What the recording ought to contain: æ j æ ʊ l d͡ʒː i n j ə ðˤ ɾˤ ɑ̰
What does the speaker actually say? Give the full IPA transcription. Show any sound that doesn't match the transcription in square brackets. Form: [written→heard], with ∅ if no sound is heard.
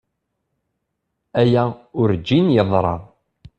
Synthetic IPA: æ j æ ʊ [l→ɾ] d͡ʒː i n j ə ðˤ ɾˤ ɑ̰